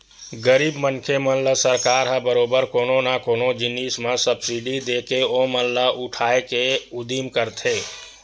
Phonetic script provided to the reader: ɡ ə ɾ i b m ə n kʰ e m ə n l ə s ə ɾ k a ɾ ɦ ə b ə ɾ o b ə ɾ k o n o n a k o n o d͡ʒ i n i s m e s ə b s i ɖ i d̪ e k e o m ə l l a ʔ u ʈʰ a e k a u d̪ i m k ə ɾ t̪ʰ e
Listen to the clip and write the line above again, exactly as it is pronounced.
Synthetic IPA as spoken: ɡ ə ɾ i b m ə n kʰ e m ə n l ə s ə ɾ k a ɾ ɦ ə b ə ɾ o b ə ɾ k o n o n a k o n o d͡ʒ i n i s m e s ə b s i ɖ i d̪ e k e o m ə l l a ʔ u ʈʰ a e k e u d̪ i m k ə ɾ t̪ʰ e